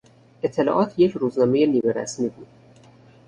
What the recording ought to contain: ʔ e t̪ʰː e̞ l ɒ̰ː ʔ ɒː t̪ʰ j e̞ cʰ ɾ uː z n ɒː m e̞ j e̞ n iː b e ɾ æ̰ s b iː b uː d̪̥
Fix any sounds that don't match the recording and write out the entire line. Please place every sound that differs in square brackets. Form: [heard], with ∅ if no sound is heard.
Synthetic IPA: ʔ e t̪ʰː e̞ l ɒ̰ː ʔ ɒː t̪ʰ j e̞ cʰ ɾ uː z n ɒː m e̞ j e̞ n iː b e ɾ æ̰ s [m] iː b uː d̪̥